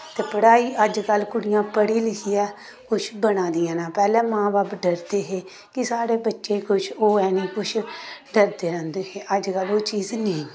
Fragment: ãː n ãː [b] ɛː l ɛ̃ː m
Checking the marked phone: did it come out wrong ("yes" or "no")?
yes